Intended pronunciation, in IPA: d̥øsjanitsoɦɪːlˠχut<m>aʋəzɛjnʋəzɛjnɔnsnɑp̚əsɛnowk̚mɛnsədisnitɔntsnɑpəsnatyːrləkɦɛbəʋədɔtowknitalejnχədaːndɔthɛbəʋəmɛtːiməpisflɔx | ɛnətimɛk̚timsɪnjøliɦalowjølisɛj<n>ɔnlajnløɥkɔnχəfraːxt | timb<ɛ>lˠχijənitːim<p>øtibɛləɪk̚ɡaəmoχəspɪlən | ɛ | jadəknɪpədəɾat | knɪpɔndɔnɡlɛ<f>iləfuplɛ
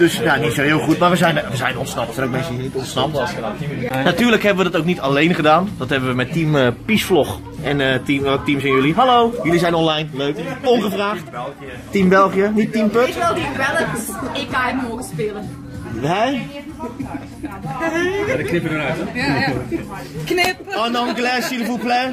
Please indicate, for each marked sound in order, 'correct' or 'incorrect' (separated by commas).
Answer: correct, correct, correct, correct, incorrect